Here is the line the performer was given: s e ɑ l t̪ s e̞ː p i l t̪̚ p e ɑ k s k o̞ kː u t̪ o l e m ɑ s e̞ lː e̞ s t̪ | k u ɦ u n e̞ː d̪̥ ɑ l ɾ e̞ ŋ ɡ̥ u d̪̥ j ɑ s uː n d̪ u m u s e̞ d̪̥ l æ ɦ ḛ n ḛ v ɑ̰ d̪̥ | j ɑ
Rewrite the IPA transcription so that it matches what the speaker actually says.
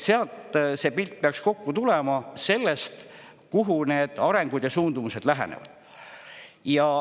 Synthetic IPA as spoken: s e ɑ l t̪ s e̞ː p i l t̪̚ p e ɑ k s k o̞ kː u t̪ u l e m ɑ s e̞ lː e̞ s t̪ | k u ɦ u n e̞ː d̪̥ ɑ ɾ e̞ ŋ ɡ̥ u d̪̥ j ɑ s uː n d̪ u m u s e̞ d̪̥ l æ ɦ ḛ n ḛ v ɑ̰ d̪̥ | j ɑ